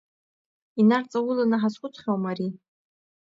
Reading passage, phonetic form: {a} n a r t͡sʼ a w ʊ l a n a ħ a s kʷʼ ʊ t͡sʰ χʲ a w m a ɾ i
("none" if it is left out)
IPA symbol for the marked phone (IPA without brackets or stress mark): i